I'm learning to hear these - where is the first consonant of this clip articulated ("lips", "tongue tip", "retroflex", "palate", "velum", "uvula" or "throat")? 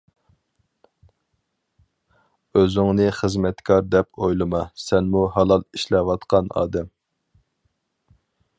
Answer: tongue tip